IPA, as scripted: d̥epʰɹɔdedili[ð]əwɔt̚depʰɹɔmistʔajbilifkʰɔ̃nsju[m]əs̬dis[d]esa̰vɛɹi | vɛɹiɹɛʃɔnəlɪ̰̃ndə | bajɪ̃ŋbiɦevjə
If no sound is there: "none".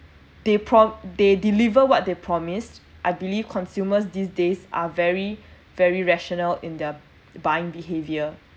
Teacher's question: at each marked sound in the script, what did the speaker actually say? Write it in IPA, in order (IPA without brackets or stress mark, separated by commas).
v, m, d